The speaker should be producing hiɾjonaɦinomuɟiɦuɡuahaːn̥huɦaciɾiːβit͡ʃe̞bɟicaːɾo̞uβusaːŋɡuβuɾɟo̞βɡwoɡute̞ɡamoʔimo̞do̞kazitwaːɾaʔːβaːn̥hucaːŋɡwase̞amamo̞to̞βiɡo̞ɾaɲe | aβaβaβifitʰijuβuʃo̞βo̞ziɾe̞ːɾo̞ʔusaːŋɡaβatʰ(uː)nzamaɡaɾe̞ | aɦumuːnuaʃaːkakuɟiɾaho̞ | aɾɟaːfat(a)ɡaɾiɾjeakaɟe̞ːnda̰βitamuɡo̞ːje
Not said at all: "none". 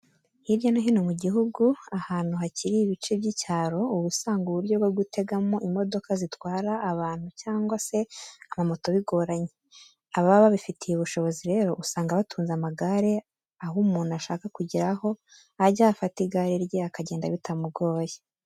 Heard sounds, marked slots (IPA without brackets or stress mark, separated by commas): uː, i